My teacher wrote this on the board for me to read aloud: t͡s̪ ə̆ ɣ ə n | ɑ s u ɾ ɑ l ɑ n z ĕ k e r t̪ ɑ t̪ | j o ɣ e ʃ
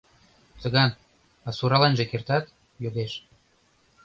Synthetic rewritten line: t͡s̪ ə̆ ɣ ɑ n | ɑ s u ɾ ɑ l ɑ n ʒ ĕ k e r t̪ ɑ t̪ | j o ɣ e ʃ